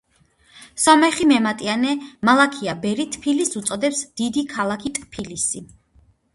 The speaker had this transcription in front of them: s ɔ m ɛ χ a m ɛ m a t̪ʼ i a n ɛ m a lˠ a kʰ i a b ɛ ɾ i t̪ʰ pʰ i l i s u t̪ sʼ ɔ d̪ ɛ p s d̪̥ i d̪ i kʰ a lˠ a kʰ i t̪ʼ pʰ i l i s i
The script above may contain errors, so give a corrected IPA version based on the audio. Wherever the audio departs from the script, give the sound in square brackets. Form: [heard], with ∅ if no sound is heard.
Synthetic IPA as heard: s ɔ m ɛ χ [i] m ɛ m a t̪ʼ i a n ɛ m a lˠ a kʰ i a b ɛ ɾ i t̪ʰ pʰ i l i s u t̪ sʼ ɔ d̪ ɛ p s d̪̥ i d̪ i kʰ a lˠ a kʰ i t̪ʼ pʰ i l i s i